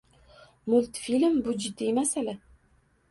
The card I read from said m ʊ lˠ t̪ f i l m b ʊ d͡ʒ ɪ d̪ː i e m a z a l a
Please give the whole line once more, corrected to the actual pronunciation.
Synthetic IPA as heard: m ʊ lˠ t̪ f i l m b ʊ d͡ʒ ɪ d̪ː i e m a s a l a